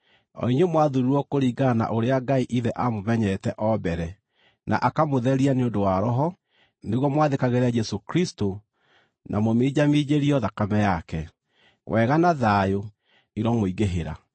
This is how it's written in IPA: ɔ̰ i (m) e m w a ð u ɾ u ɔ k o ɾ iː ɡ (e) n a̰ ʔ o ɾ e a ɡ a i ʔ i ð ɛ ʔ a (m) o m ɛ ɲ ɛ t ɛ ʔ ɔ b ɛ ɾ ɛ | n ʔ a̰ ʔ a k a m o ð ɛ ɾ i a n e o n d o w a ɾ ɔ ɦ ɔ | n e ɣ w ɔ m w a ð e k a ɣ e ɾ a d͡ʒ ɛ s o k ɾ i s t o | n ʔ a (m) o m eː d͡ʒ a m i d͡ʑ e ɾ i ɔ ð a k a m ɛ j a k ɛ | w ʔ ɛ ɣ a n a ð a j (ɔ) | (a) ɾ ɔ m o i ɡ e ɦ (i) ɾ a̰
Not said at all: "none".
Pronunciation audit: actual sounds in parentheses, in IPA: ɲ, a, m, m, o, i, e

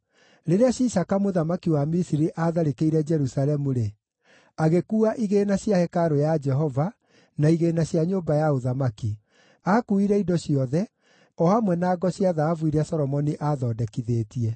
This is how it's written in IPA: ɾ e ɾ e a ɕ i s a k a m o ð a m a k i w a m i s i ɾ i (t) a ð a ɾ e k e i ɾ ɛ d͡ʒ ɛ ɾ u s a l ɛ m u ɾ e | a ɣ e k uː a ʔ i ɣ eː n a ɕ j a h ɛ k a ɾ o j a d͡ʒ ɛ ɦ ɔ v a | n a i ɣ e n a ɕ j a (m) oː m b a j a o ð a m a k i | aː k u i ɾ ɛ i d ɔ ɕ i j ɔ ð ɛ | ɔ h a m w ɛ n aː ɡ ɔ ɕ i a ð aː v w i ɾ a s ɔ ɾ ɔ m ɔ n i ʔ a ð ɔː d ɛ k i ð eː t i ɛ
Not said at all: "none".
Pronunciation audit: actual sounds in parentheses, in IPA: ʔ, ɲ

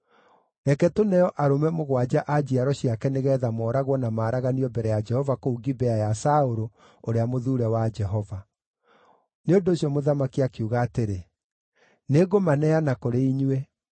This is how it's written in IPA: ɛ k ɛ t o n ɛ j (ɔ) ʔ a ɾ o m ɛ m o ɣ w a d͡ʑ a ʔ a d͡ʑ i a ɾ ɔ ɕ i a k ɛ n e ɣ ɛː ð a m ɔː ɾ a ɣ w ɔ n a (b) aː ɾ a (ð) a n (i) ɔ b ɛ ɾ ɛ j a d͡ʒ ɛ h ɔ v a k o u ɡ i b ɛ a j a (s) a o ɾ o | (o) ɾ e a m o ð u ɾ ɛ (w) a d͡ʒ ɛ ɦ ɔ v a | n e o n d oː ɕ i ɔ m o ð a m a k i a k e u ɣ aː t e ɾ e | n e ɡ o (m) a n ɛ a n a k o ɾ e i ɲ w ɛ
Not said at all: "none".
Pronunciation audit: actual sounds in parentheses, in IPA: ɔ, m, ɣ, i, s, o, w, m

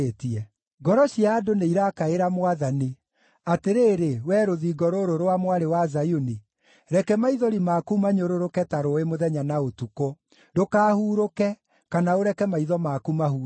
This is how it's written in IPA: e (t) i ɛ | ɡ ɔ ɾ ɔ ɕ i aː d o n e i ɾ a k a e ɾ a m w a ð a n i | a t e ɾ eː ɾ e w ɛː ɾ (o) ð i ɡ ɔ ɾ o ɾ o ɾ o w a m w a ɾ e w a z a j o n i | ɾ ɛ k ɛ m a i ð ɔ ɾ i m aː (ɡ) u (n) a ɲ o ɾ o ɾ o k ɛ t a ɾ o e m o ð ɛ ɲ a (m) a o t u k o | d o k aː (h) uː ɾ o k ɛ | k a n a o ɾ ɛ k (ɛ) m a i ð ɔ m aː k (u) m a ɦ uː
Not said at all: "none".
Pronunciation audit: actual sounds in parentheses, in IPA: t, o, k, m, n, h, ɛ, u

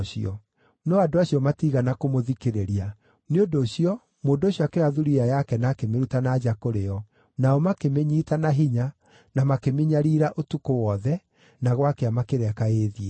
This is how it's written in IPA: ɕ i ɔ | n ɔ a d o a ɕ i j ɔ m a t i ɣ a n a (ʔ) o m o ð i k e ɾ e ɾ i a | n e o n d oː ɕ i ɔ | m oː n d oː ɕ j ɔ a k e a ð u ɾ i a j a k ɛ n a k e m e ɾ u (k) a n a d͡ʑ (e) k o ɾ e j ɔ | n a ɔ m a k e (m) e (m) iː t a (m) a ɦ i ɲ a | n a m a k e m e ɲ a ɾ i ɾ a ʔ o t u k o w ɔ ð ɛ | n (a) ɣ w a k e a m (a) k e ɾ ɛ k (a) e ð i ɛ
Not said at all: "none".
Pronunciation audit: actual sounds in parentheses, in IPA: k, t, a, m, ɲ, n, a, a, a

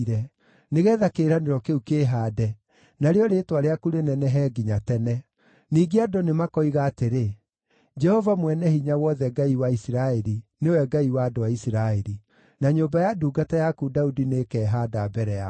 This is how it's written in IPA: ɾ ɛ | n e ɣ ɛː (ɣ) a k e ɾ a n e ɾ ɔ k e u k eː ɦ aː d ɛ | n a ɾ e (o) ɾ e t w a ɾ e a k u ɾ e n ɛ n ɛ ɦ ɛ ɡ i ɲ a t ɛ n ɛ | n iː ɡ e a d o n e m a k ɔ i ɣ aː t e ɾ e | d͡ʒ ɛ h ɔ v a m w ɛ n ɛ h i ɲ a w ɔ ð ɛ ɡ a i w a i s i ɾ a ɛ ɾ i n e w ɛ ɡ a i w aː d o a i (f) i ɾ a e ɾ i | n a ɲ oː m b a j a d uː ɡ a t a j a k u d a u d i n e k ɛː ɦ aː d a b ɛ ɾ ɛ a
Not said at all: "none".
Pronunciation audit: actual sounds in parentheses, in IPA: ð, ɔ, s

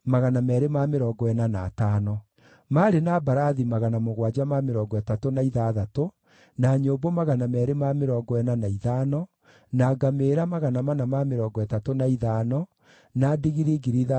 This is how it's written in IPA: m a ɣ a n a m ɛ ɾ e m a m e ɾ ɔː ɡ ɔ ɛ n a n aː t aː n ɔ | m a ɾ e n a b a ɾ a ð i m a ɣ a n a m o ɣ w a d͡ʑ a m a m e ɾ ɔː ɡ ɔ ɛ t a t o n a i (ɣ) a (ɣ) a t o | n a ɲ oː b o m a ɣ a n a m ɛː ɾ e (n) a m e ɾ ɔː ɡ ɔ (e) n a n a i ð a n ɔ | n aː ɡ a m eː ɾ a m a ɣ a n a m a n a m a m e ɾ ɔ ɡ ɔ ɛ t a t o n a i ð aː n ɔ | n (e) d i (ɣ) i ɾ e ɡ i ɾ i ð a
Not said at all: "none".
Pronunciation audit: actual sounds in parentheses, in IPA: ð, ð, m, ɛ, a, ɣ

